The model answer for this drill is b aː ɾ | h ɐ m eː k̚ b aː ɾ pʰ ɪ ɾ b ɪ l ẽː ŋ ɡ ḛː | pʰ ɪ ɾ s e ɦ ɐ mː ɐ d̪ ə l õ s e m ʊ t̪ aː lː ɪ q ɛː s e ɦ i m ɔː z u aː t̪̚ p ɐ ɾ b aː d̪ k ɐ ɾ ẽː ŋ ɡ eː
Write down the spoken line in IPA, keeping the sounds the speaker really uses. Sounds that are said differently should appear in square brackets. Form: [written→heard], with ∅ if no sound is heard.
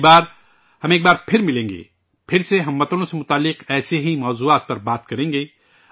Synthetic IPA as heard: b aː ɾ | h ɐ m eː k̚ b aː ɾ pʰ ɪ ɾ [b→m] ɪ l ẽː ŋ ɡ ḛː | pʰ ɪ ɾ s e ɦ ɐ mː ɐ [d̪→t̪] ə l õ s e m ʊ t̪ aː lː ɪ q ɛː s e ɦ i m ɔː z u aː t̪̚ p ɐ ɾ b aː [d̪→t̪] k ɐ ɾ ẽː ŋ ɡ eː